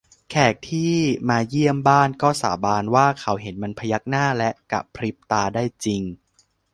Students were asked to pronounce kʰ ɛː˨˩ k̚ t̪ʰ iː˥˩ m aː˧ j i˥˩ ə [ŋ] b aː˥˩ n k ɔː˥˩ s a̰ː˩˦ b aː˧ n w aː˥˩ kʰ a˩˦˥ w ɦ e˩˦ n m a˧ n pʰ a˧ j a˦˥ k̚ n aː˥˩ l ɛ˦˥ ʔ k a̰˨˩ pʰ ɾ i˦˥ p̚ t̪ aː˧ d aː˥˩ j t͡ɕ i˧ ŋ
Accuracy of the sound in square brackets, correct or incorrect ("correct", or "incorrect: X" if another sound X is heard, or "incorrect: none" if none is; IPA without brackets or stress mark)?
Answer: incorrect: m